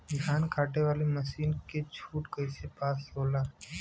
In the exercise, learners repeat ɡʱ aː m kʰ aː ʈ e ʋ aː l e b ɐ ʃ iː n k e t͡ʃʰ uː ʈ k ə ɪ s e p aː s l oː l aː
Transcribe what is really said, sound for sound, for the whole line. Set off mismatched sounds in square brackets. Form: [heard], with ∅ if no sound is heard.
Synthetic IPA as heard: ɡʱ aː [n] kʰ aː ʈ e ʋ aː l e [m] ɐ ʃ iː n k e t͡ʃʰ uː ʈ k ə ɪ s e p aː s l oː l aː